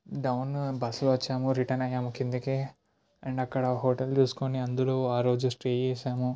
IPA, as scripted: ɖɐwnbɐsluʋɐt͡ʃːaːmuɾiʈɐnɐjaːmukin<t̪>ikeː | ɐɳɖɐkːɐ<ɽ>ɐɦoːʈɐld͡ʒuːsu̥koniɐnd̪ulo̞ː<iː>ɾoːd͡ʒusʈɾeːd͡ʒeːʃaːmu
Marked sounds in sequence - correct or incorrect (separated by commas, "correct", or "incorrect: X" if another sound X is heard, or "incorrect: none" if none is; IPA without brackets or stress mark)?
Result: incorrect: d̪, correct, incorrect: aː